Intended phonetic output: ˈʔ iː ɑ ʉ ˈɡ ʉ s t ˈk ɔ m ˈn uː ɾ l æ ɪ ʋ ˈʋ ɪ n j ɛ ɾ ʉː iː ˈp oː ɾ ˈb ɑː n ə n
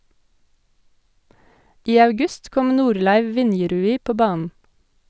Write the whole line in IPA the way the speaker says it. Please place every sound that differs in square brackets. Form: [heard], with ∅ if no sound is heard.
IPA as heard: ˈʔ iː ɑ ʉ ˈɡ ʉ s t ˈk ɔ m ˈn uː ɾ l æ ɪ ʋ ˈʋ ɪ n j ɛ ɾ ʉː iː ˈp oː [∅] ˈb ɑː n ə n